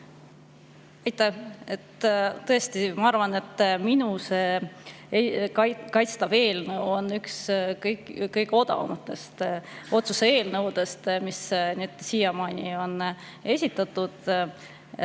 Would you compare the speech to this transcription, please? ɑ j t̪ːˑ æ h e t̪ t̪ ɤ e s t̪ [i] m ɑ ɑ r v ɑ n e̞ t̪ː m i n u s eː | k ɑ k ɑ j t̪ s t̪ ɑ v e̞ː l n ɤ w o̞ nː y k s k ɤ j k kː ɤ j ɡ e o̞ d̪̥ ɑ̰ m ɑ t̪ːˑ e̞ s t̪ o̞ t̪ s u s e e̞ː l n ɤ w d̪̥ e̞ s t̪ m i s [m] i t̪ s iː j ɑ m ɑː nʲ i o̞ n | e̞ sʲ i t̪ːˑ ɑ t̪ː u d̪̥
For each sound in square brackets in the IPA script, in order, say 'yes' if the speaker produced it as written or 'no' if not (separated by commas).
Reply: yes, no